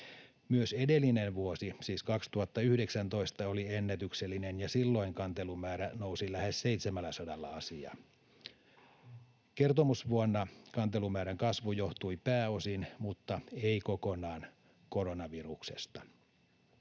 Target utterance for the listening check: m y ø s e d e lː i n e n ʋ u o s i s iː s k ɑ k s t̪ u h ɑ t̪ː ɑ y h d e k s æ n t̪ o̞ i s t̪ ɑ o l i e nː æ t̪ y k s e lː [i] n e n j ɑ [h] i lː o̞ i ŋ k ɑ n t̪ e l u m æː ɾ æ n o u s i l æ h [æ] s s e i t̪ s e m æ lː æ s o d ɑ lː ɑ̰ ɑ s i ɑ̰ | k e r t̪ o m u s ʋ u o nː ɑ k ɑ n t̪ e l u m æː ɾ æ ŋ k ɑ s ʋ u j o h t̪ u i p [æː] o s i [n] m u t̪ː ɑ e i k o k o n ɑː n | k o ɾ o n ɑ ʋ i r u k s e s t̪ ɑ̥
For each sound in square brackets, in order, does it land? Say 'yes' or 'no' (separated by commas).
yes, no, no, yes, yes